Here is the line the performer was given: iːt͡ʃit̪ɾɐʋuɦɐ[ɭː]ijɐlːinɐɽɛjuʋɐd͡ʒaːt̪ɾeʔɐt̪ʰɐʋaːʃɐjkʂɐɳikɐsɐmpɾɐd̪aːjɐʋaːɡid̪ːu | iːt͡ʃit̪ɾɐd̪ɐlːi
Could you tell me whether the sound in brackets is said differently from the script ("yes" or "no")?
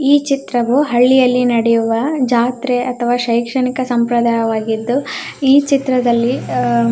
no